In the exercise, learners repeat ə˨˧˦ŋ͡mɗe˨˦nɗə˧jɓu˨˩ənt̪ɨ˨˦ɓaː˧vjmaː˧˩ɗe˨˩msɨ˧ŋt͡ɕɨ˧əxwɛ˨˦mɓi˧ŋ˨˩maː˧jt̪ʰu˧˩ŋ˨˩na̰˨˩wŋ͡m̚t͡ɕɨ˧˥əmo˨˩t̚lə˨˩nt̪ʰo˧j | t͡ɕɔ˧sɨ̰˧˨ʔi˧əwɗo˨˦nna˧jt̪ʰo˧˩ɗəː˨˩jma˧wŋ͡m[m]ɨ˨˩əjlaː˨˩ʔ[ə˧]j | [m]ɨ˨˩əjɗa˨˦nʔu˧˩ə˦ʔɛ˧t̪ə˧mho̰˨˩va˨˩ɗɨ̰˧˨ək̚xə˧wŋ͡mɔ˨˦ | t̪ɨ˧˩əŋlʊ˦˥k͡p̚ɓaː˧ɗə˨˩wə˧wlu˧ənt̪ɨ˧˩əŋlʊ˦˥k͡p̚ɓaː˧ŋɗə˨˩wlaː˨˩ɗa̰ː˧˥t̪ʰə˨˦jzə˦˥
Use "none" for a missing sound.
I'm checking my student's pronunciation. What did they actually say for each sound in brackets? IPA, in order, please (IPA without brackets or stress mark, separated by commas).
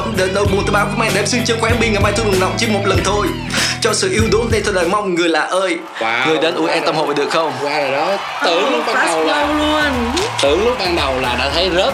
ŋ, əː˧, ŋ